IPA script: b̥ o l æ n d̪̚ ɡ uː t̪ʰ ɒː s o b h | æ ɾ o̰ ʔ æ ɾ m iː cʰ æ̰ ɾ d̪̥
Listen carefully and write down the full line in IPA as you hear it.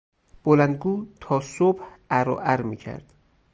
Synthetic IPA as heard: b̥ o l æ n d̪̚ ɡ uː t̪ʰ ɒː s o b h | æ ɾ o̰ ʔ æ ɾ m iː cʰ æ̰ ɾ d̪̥